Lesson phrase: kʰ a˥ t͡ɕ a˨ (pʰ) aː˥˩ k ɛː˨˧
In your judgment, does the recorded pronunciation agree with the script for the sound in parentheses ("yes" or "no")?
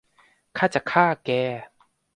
no